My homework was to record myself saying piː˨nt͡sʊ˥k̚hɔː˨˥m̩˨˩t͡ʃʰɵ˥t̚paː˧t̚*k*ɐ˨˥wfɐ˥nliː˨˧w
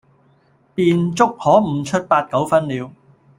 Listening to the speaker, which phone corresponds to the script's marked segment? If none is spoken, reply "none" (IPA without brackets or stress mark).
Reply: k